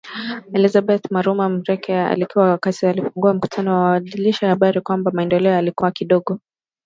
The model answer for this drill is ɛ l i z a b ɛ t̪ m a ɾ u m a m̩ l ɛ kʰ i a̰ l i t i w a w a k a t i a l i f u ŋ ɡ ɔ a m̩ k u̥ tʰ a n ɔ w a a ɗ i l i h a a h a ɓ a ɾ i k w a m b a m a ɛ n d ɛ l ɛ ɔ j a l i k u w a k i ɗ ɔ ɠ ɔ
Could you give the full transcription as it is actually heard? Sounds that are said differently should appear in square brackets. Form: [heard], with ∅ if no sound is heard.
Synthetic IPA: ɛ l i z a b ɛ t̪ m a ɾ u m a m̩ [ɾ] ɛ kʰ [ɛ] a̰ l i [k] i w a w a k a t i a l i f u ŋ ɡ [u] a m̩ k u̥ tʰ a n ɔ w a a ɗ i l i [ʃ] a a h a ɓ a ɾ i k w a m b a m a ɛ n d ɛ l ɛ ɔ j a l i k u w a k i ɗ ɔ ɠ ɔ